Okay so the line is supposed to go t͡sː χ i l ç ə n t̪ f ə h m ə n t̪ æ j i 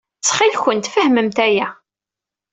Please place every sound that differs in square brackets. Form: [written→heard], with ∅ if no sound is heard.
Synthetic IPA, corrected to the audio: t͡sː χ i l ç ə n t̪ f ə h m ə [n→m] t̪ æ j [i→æ]